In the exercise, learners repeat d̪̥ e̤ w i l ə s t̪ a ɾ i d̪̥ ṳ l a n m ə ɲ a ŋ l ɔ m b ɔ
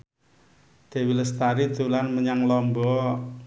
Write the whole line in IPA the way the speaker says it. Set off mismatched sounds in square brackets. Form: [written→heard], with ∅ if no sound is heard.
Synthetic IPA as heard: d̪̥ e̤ w i l ə s t̪ a ɾ i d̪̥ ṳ l a n m ə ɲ a ŋ l ɔ m b ɔ

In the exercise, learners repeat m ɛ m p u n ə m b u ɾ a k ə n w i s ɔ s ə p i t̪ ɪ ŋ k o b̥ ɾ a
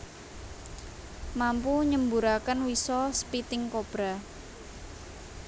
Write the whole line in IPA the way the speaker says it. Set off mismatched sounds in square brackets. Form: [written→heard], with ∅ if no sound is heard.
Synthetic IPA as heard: m [ɛ→a] m p u [n→ɲ] ə m b u ɾ a k ə n w i s ɔ s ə p i t̪ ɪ ŋ k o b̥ ɾ a

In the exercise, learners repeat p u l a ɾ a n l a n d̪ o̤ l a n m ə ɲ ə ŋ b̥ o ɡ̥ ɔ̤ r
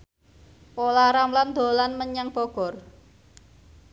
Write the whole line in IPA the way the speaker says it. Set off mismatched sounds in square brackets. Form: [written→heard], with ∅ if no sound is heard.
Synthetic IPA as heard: p [u→o] l a ɾ a [n→m] l a n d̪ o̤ l a n m ə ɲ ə ŋ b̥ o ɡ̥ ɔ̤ r

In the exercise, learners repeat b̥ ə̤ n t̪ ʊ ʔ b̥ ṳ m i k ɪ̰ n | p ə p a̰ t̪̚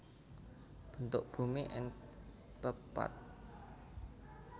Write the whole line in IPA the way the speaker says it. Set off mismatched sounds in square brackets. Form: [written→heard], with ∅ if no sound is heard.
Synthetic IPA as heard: b̥ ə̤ n t̪ ʊ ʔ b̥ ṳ m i [k→ʔ] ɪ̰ [n→ŋ] | p ə p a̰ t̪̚

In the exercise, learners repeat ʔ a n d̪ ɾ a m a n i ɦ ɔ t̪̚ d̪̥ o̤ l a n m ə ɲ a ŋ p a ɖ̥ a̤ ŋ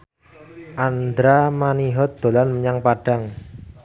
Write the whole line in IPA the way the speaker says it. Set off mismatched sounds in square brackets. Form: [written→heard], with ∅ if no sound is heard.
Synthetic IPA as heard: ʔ a n d̪ ɾ a m a n i ɦ ɔ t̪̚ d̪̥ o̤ l a n m ə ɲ a ŋ p a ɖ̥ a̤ ŋ

